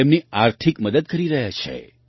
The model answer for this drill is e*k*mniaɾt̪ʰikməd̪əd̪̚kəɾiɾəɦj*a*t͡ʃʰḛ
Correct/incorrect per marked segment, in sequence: incorrect: none, correct

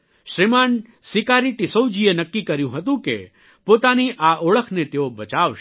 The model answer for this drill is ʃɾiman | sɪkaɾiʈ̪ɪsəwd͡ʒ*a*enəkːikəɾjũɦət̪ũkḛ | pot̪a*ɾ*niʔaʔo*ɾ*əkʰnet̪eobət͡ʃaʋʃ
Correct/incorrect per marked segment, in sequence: incorrect: i, incorrect: none, incorrect: ɭ

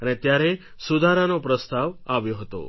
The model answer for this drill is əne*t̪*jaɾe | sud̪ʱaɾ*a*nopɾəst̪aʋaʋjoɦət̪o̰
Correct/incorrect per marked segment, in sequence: correct, correct

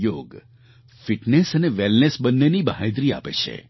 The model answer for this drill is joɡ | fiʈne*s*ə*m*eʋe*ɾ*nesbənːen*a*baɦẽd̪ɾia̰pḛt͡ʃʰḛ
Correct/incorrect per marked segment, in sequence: correct, incorrect: n, incorrect: l, incorrect: i

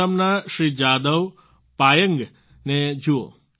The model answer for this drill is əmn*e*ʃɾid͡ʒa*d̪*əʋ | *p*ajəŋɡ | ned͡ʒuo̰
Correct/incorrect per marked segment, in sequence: incorrect: a, correct, correct

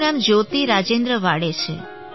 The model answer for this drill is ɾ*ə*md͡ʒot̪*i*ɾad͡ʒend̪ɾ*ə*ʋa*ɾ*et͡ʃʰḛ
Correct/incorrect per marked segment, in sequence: incorrect: a, correct, correct, incorrect: ɽ

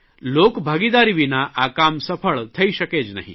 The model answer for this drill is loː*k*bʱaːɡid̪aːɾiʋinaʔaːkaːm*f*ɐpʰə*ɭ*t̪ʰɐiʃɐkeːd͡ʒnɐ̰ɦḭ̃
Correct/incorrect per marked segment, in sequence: correct, incorrect: s, correct

